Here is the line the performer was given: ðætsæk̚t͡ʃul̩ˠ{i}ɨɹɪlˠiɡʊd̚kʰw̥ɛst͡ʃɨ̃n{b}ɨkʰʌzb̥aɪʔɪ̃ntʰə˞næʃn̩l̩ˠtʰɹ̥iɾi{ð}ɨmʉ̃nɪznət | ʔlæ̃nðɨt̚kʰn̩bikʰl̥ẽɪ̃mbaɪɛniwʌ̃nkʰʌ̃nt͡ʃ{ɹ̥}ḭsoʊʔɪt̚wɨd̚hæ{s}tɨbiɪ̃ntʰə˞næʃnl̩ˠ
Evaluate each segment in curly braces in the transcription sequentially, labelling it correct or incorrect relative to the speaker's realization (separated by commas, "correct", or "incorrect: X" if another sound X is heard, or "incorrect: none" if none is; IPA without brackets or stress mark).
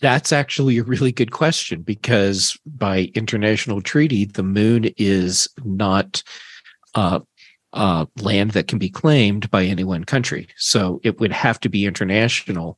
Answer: correct, correct, correct, correct, incorrect: f